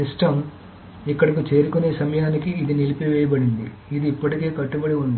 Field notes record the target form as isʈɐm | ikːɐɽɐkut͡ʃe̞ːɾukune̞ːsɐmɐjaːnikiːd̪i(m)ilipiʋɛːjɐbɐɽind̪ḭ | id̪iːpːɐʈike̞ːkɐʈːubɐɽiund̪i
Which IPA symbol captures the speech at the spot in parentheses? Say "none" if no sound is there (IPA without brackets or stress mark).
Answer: n